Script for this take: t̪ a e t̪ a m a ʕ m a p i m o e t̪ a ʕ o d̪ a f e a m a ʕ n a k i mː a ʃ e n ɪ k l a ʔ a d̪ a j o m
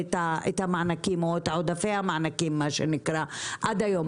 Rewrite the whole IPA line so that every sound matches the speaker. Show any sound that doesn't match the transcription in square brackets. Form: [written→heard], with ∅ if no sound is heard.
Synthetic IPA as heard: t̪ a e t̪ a m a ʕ [m→n] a [p→k] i m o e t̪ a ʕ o d̪ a f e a m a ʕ n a k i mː a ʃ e n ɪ k [l→ɾ] a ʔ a d̪ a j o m